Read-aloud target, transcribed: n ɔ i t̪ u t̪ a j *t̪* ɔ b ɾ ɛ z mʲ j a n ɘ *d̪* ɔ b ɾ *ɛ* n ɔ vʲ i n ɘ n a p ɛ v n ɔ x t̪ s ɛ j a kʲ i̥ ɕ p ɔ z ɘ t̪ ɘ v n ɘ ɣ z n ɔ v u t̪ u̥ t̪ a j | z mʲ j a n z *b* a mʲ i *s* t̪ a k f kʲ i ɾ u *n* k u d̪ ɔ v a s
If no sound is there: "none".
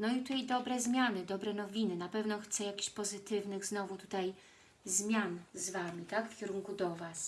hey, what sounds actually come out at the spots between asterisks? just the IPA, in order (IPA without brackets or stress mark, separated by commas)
d̪, d̪, ɛ, v, none, ŋ